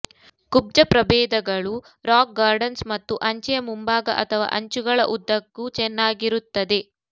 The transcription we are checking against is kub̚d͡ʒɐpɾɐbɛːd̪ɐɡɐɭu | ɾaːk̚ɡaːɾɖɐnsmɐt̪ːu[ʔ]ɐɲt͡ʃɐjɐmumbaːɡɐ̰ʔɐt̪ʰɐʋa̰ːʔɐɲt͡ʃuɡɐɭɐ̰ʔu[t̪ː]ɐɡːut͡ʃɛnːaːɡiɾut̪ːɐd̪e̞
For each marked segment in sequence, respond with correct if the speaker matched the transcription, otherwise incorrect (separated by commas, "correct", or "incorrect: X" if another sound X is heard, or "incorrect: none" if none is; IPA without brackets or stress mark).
correct, incorrect: d̪ː